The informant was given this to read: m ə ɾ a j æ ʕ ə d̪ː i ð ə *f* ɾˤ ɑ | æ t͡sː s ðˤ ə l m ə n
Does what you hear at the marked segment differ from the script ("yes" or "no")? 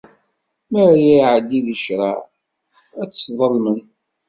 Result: yes